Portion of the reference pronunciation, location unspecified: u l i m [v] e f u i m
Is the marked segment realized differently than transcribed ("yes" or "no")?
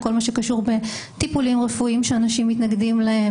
yes